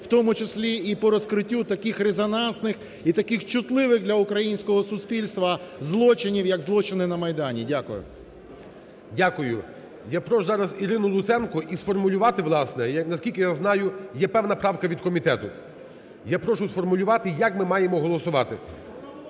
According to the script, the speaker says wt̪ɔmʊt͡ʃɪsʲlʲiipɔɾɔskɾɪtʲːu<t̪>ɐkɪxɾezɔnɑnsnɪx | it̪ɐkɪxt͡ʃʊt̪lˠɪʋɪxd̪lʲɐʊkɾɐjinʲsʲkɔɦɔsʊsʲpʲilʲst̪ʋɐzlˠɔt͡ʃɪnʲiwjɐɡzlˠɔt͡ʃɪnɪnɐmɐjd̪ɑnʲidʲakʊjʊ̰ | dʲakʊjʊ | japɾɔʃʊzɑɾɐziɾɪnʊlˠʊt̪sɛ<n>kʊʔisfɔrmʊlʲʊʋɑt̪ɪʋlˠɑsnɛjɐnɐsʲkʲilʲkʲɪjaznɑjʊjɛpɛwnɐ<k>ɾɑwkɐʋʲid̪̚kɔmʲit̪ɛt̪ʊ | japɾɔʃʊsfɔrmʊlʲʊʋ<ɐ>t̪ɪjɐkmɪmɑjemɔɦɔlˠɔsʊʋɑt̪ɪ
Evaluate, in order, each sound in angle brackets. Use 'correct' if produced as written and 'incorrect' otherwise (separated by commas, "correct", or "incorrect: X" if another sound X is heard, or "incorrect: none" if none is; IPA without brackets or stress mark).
correct, correct, incorrect: p, incorrect: ɑ